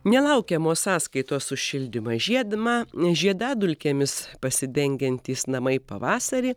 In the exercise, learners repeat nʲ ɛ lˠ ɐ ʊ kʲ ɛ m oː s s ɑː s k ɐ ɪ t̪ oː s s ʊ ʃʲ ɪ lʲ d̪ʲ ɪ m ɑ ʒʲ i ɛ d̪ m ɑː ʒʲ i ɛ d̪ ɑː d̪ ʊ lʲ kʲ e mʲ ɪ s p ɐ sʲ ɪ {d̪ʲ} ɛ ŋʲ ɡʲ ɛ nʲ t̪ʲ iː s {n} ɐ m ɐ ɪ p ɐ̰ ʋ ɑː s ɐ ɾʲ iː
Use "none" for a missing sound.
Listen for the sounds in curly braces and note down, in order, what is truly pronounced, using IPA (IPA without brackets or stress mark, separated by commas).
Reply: d̪ʲ, n